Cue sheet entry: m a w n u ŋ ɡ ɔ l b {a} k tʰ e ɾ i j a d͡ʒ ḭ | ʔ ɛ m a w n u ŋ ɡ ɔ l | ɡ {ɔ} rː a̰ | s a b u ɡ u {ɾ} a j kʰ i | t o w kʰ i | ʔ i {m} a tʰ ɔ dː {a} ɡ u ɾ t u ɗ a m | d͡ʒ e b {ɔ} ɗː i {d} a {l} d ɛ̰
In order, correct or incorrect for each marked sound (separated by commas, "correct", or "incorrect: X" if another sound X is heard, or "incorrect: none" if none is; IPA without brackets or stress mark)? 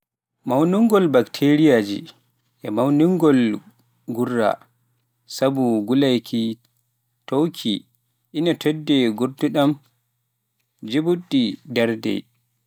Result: correct, incorrect: u, incorrect: l, incorrect: n, incorrect: ɛ, incorrect: u, correct, incorrect: ɾ